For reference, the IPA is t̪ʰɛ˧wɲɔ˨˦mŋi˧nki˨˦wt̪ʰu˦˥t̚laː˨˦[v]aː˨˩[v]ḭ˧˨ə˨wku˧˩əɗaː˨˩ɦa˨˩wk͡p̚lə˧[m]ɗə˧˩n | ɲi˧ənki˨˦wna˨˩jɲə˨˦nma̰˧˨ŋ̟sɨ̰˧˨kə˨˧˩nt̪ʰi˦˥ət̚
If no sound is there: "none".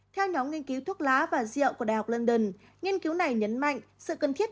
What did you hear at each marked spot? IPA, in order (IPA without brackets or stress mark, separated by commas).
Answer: v, z, n